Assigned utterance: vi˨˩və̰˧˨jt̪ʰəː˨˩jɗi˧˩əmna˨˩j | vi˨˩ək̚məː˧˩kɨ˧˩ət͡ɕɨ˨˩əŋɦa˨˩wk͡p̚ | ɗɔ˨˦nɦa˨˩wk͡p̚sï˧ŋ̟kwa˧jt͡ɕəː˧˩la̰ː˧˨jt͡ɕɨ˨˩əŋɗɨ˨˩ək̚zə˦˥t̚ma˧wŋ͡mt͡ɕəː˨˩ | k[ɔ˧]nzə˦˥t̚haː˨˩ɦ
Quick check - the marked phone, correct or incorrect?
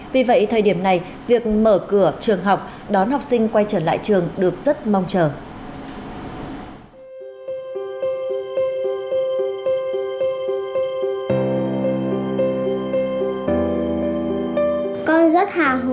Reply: correct